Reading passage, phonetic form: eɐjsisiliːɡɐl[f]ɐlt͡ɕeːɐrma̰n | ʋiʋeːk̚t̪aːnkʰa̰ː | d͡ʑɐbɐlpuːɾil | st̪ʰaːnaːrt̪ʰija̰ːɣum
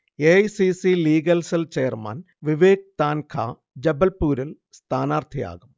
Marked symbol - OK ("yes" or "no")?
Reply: no